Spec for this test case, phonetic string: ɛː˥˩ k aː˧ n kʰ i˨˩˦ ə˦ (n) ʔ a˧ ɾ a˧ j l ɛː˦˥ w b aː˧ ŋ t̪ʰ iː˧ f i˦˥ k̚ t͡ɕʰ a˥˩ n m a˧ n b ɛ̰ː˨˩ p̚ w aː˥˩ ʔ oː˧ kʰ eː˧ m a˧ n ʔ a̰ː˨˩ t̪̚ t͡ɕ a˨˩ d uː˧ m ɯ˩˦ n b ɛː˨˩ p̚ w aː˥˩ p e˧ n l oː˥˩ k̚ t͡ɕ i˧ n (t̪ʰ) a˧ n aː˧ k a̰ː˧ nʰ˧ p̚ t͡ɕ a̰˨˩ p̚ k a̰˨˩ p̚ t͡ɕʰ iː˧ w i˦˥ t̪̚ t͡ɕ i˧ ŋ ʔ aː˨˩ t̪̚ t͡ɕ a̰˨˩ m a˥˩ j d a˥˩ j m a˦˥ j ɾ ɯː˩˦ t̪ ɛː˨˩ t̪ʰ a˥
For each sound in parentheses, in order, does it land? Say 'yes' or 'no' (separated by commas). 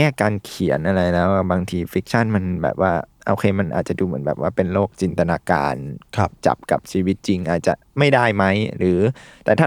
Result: yes, no